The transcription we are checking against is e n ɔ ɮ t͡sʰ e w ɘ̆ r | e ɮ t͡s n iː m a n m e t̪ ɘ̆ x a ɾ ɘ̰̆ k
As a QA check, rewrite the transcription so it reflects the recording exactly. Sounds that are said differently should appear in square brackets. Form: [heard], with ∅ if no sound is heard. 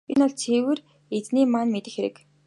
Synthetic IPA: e n ɔ ɮ t͡sʰ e w ɘ̆ r | e [∅] t͡s n iː m a n m e t̪ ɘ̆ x [e] ɾ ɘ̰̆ k

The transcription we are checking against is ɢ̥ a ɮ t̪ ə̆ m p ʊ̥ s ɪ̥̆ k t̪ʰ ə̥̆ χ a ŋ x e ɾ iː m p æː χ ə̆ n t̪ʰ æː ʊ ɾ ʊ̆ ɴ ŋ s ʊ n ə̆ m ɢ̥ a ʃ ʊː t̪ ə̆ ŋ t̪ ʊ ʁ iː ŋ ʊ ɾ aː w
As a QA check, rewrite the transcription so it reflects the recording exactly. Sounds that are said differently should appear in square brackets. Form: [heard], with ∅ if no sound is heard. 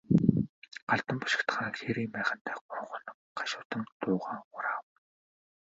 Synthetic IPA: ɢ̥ a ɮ t̪ ə̆ m p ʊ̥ [ʃ] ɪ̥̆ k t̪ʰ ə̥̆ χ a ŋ x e ɾ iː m p æː χ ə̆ n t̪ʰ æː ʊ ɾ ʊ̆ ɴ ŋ [χ] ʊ n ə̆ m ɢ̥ a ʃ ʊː t̪ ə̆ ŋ t̪ [ʊː] ʁ [aː] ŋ ʊ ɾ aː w

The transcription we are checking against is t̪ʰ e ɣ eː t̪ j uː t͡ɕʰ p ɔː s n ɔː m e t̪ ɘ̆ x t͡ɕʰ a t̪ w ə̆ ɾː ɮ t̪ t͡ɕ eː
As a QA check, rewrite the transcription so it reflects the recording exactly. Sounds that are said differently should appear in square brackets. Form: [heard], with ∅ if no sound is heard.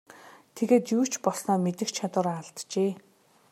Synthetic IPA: t̪ʰ e ɣ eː t̪ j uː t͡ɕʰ p [ɔ] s n ɔː m e t̪ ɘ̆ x t͡ɕʰ a t̪ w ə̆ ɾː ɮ t̪ t͡ɕ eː

